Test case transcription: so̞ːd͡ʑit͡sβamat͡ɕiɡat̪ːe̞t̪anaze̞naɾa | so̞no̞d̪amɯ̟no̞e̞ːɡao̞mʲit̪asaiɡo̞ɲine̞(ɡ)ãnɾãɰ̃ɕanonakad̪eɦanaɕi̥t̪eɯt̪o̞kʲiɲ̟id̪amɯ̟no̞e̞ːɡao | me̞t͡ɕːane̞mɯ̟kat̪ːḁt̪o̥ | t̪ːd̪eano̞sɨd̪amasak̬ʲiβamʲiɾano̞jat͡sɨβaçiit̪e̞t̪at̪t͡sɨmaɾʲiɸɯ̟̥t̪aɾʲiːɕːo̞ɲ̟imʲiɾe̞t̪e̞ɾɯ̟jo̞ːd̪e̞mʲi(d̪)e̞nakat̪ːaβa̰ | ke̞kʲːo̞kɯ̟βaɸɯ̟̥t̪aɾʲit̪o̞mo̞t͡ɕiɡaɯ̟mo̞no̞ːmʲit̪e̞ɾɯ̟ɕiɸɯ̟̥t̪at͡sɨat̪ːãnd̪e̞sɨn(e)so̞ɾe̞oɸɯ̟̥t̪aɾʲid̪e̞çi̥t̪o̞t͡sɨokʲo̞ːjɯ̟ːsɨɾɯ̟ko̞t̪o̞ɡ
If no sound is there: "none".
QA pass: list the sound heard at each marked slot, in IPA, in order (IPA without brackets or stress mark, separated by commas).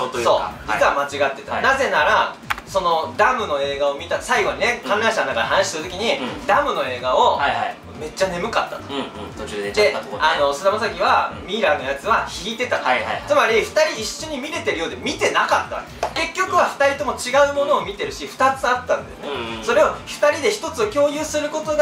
k, t̪, e